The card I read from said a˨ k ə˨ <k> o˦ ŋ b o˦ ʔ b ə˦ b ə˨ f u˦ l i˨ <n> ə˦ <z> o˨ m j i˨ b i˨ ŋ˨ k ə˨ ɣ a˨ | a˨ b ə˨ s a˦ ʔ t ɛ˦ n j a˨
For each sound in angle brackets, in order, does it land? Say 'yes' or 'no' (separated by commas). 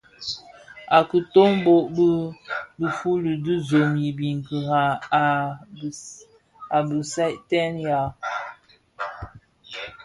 no, no, yes